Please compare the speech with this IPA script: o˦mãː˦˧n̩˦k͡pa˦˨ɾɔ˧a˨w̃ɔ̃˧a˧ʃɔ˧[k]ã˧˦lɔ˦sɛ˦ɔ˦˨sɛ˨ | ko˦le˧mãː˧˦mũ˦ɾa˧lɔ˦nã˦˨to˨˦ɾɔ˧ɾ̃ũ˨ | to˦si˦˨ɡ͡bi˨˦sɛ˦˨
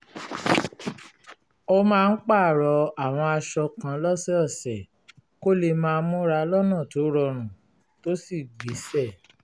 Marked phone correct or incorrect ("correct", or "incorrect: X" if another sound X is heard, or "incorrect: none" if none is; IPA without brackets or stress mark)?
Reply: correct